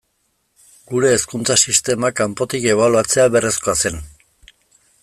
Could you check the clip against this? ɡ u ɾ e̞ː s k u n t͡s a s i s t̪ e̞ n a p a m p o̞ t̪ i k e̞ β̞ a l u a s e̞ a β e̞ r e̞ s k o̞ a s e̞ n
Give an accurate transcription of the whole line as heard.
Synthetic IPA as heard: ɡ u ɾ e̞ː s k u n t͡s a s i s t̪ e̞ m a k a m p o̞ t̪ i k e̞ β̞ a l u a t͡s e̞ a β e̞ r e̞ s k o̞ a s e̞ n